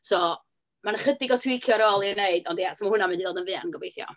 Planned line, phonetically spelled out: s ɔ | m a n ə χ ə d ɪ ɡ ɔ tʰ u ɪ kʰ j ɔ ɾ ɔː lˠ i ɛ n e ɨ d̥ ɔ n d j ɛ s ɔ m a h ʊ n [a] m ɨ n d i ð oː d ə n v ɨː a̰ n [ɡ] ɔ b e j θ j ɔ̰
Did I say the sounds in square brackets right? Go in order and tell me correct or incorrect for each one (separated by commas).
correct, correct